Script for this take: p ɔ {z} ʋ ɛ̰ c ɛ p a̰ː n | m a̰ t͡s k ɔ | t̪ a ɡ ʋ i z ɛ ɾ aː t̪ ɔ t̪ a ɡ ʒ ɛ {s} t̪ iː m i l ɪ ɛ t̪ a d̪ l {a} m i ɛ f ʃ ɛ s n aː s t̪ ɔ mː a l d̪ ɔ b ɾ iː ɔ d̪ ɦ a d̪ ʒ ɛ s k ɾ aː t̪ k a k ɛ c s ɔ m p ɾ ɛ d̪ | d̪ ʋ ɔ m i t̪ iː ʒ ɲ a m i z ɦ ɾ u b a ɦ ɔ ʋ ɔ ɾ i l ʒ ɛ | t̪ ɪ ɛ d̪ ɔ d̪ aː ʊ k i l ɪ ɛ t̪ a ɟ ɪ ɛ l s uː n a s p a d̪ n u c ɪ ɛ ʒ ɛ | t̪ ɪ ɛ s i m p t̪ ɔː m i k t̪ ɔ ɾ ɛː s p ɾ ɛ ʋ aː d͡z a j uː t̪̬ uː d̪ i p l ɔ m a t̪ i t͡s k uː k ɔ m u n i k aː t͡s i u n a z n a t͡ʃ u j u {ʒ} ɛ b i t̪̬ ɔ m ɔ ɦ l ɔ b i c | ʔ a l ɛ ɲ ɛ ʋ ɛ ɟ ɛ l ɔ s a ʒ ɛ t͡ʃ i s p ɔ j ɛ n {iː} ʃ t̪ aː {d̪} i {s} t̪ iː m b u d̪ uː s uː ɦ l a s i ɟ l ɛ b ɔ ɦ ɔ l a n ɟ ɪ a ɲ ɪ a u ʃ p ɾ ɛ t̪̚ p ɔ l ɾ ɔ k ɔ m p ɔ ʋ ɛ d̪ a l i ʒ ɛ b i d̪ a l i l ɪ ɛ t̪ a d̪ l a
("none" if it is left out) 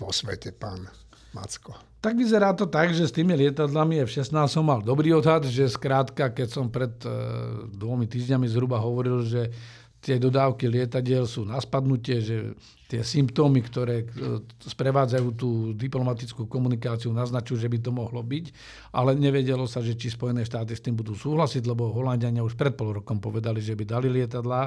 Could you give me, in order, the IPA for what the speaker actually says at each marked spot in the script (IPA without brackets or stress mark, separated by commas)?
s, s, a, ʒ, ɛː, t̪, s